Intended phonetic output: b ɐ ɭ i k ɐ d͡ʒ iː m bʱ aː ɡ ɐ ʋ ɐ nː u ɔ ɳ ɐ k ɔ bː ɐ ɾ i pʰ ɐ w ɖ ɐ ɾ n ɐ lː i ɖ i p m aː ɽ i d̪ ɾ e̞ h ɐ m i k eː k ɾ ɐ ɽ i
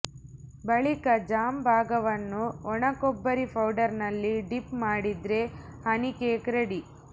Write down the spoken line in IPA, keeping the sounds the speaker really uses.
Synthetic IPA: b ɐ ɭ i k ɐ d͡ʒ aː m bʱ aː ɡ ɐ ʋ ɐ nː u ɔ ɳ ɐ k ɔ bː ɐ ɾ i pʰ ɐ w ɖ ɐ ɾ n ɐ lː i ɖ i p m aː ɽ i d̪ ɾ e̞ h ɐ n i k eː k ɾ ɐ ɽ i